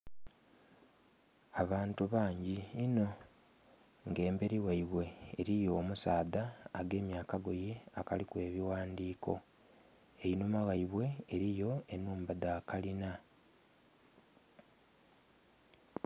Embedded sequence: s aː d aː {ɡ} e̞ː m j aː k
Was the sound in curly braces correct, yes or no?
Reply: yes